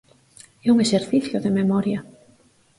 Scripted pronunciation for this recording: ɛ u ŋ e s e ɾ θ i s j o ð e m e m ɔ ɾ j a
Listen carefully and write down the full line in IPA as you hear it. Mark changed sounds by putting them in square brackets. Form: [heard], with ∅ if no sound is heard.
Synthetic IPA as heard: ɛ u ŋ e s e ɾ θ i [θ] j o ð e m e m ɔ ɾ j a